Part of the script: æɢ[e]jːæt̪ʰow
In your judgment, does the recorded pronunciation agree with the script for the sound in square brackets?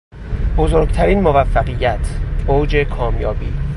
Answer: no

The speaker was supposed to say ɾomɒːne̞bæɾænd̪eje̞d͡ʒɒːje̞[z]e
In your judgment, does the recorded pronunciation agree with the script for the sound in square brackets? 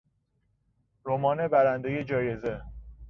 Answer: yes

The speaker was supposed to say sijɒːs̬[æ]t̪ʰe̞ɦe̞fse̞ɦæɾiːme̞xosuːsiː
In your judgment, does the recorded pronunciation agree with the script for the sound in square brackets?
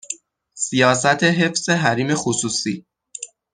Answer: yes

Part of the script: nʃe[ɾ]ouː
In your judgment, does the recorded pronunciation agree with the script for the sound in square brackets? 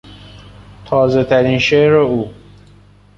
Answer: yes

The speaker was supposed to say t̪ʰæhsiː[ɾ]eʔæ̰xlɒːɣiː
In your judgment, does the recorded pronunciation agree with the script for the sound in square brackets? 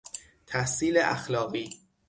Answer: no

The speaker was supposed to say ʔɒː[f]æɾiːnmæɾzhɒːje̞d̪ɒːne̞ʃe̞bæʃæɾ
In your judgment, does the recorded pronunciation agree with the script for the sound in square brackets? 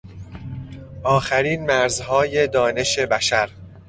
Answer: no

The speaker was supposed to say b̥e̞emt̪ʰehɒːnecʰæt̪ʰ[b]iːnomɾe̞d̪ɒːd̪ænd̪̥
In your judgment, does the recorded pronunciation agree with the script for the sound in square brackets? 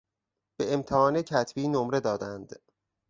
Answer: yes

